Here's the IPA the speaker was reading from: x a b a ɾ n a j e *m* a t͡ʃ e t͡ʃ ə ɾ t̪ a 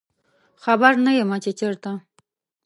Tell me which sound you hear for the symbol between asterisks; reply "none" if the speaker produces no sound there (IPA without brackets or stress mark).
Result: m